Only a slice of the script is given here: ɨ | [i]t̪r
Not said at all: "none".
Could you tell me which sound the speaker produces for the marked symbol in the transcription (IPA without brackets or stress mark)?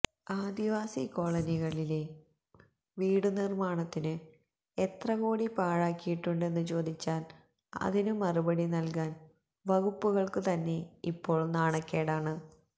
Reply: e